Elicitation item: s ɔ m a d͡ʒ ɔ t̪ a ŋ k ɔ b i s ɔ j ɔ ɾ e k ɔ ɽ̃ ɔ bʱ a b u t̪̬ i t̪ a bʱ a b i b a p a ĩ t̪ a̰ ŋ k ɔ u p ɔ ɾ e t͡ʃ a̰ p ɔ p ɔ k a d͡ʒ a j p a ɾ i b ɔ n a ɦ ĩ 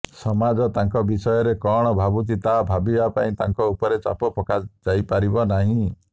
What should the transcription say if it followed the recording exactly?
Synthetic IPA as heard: s ɔ m a d͡ʒ ɔ t̪ a ŋ k ɔ b i s ɔ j ɔ ɾ e k ɔ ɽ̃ ɔ bʱ a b u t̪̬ i t̪ a bʱ a b i b a p a ĩ t̪ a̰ ŋ k ɔ u p ɔ ɾ e t͡ʃ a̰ p ɔ p ɔ k a d͡ʒ a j p a ɾ i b ɔ n a ɦ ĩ